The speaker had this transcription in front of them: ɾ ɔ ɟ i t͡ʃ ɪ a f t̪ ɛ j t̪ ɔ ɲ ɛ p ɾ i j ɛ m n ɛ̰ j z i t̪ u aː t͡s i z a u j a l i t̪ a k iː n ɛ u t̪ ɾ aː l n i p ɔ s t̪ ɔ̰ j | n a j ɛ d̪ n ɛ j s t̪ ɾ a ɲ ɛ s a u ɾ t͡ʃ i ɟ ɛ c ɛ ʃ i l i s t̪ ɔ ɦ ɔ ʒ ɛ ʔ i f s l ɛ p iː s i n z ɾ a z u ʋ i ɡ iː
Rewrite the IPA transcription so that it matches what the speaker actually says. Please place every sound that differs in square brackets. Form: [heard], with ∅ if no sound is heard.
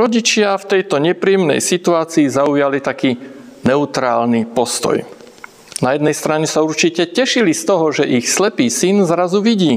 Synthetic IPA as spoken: ɾ ɔ ɟ i t͡ʃ ɪ a f t̪ ɛ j t̪ ɔ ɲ ɛ p ɾ i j ɛ m n ɛ̰ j [s] i t̪ u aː t͡s [iː] z a u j a l i t̪ a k iː n ɛ u t̪ ɾ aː l n i p ɔ s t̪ ɔ̰ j | n a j ɛ d̪ n ɛ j s t̪ ɾ a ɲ ɛ s a u ɾ t͡ʃ i [c] ɛ c ɛ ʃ i l i s t̪ ɔ ɦ ɔ ʒ ɛ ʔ i [x] s l ɛ p iː s i n z ɾ a z u ʋ i [ɟ] iː